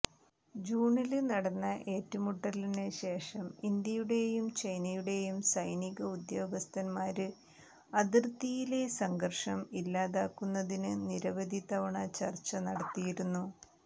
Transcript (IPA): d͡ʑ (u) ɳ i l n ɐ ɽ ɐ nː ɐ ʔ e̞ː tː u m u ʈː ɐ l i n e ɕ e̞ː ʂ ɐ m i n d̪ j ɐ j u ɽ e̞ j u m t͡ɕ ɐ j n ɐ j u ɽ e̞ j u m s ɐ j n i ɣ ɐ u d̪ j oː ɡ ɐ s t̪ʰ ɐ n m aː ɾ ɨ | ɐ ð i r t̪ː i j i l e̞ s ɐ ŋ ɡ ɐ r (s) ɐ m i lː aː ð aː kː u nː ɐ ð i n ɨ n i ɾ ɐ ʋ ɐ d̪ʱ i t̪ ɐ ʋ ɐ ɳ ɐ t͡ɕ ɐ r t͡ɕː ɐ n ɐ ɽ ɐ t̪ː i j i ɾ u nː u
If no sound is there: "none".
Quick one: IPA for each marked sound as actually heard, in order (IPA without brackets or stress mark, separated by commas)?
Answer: uː, ʂ